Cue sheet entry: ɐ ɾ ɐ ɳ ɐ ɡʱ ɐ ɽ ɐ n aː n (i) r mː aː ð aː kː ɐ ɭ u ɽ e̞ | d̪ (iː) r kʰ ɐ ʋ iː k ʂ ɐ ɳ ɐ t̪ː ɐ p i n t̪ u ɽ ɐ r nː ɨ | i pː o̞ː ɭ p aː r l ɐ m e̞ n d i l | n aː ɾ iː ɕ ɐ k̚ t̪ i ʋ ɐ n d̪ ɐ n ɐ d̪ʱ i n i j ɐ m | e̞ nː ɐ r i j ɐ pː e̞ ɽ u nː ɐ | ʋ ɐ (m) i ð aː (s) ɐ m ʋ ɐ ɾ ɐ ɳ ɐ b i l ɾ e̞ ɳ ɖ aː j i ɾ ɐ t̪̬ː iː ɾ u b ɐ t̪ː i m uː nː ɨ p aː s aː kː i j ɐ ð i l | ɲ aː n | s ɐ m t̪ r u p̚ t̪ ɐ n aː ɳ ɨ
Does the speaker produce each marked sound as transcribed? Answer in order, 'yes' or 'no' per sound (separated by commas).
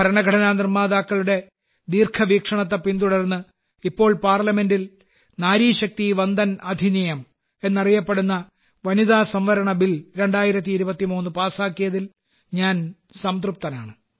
yes, yes, no, yes